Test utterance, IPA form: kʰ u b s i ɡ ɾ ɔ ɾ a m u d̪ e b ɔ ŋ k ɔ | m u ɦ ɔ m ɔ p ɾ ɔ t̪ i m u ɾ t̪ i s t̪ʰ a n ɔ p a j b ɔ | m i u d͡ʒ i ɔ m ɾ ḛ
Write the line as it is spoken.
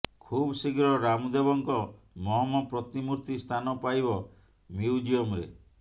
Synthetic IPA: kʰ u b s i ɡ ɾ ɔ ɾ a m u d̪ e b ɔ ŋ k ɔ | m ɔ ɦ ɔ m ɔ p ɾ ɔ t̪ i m u ɾ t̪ i s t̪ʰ a n ɔ p a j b ɔ | m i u d͡ʒ i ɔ m ɾ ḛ